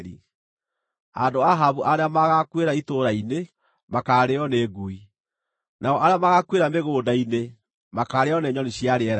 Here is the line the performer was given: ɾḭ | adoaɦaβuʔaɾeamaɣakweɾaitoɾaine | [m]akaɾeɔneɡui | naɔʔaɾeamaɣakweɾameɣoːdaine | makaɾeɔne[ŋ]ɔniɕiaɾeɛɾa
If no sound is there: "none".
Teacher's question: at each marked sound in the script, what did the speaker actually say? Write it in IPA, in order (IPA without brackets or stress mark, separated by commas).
m, ɲ